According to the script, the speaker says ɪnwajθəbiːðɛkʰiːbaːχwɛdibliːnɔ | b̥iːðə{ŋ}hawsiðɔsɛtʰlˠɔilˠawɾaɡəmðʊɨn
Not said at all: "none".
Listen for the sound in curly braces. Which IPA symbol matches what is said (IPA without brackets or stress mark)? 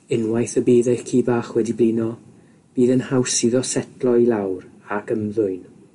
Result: n